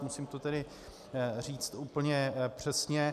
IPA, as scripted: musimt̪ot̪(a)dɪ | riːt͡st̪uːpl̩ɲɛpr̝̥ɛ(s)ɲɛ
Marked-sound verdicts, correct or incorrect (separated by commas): incorrect, correct